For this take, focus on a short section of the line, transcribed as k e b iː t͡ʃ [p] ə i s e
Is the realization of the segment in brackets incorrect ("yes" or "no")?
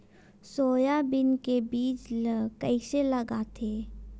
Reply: yes